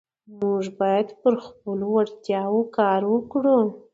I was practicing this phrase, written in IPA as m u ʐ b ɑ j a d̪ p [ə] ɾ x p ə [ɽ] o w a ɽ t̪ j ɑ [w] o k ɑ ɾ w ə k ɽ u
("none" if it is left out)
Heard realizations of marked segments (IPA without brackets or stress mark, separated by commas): ə, l, w